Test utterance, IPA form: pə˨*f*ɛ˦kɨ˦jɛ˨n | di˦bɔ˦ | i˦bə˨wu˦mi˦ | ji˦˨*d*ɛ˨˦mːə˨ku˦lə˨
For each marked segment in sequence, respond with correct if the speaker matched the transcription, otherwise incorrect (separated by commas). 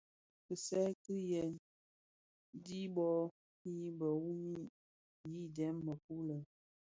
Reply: incorrect, correct